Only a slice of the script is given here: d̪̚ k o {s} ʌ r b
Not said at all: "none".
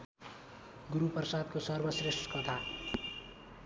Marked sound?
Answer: s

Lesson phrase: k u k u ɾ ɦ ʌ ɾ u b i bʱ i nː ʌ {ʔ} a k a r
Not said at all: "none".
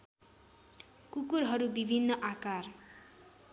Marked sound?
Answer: ʔ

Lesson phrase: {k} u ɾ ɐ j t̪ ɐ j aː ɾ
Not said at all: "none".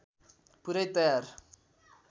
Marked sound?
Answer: p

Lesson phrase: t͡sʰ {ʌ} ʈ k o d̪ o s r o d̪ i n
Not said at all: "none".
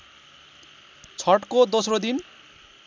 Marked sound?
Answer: ʌ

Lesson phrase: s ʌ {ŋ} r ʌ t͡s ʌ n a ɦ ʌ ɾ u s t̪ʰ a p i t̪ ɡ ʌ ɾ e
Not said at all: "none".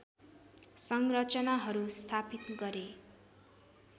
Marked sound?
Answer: ŋ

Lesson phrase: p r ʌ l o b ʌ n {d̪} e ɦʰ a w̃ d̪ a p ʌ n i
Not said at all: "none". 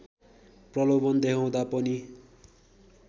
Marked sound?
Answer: d̪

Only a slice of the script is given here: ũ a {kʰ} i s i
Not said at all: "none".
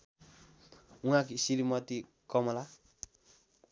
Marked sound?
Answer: k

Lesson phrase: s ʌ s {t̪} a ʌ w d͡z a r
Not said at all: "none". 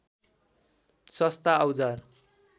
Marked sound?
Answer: t̪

